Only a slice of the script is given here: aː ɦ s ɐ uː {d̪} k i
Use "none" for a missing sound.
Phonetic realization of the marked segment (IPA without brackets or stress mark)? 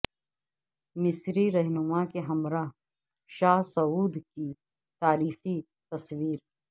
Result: d̪